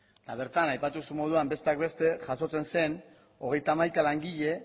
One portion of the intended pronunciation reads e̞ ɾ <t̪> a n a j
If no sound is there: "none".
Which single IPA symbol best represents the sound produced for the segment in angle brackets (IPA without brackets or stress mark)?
t̪